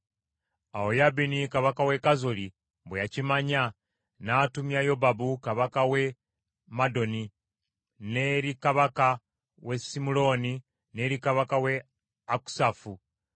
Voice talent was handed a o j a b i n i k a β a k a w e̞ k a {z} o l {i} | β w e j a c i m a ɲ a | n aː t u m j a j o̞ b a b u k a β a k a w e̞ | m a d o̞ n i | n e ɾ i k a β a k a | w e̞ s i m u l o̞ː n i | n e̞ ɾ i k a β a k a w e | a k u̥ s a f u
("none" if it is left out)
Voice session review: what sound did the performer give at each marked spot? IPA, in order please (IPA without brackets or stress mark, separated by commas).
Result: z, i